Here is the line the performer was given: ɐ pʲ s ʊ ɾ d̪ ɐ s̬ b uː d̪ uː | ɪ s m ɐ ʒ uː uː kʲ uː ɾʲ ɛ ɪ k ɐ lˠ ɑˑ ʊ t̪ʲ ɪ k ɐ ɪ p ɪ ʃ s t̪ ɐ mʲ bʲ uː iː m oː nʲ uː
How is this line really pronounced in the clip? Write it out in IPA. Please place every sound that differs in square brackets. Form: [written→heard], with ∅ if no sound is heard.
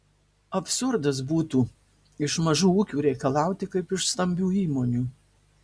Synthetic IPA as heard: ɐ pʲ s ʊ ɾ d̪ ɐ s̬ b uː [d̪→t̪] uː | ɪ [s→ʃ] m ɐ ʒ uː uː kʲ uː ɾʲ ɛ ɪ k ɐ lˠ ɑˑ ʊ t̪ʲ ɪ k ɐ ɪ p ɪ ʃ s t̪ ɐ mʲ bʲ uː iː m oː nʲ uː